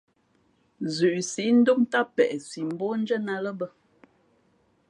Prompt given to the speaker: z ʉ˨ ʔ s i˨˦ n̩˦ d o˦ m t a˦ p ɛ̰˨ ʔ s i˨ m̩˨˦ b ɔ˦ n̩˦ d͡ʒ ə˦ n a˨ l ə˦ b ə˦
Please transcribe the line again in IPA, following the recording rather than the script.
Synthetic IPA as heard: z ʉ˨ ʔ s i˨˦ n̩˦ d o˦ m t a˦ p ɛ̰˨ ʔ s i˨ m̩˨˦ b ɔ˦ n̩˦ d͡ʒ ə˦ n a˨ l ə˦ b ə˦